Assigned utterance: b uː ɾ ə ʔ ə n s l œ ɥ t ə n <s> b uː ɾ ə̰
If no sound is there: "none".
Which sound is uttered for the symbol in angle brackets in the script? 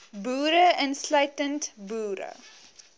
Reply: t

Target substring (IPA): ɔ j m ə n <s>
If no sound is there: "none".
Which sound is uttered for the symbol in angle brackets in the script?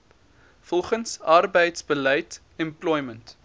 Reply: t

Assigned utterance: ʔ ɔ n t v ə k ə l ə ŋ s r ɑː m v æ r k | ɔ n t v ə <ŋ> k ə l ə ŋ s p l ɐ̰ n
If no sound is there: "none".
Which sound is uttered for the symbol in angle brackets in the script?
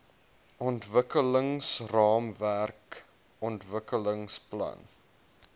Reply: none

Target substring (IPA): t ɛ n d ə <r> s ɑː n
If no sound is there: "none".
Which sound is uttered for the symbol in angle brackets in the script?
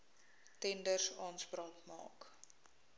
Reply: r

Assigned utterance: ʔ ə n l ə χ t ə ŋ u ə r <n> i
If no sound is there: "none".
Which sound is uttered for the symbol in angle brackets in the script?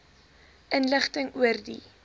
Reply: d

